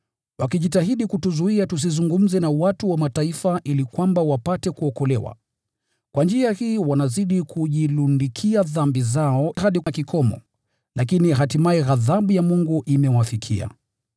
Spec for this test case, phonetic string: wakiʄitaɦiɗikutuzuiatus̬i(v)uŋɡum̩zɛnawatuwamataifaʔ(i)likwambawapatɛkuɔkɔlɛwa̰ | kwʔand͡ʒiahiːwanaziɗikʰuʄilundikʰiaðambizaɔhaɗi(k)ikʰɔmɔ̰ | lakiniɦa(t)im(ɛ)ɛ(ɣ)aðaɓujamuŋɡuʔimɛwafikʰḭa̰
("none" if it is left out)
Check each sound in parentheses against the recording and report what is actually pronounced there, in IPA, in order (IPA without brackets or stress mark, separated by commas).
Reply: z, i, k, t, a, ɣ